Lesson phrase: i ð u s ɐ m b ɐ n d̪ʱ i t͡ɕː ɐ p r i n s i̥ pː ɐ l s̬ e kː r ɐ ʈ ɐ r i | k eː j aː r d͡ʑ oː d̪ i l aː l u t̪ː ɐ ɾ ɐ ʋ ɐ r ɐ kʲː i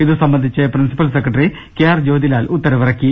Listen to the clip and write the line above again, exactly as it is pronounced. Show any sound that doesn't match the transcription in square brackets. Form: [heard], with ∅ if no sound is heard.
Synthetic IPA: i ð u s ɐ m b ɐ n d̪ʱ i t͡ɕː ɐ p r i n s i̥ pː ɐ l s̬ e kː r ɐ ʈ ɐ r i | k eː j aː r d͡ʑ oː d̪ i l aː l u t̪ː ɐ ɾ ɐ ʋ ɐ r ɐ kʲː i